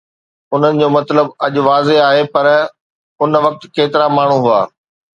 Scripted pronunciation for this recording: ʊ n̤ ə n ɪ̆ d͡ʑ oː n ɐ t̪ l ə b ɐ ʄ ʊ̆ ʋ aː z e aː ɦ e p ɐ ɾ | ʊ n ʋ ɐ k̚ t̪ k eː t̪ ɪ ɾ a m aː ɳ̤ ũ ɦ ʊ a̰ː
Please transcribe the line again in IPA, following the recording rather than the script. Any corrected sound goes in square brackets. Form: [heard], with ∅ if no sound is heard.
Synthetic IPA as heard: ʊ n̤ ə n ɪ̆ d͡ʑ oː [m] ɐ t̪ l ə b ɐ ʄ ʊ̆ ʋ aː z e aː ɦ e p ɐ ɾ | ʊ n ʋ ɐ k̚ t̪ k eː t̪ ɪ ɾ a m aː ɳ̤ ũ ɦ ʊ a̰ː